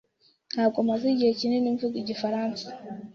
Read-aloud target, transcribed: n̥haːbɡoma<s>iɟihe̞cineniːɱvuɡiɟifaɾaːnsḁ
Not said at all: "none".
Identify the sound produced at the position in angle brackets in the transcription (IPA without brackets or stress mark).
z